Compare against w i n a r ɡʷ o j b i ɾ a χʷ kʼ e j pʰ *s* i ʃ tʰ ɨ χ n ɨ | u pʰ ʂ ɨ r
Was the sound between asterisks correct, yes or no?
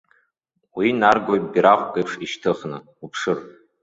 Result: no